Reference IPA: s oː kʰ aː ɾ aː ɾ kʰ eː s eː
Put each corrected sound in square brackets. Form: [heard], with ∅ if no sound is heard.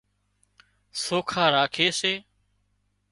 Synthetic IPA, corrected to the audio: s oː kʰ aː ɾ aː [∅] kʰ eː s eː